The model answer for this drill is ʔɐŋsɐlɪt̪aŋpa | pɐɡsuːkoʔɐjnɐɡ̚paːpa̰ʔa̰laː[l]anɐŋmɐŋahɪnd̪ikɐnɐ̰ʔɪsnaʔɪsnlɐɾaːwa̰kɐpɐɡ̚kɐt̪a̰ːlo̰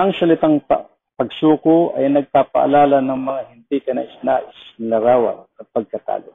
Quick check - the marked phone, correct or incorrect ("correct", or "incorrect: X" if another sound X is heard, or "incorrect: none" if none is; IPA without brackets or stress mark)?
correct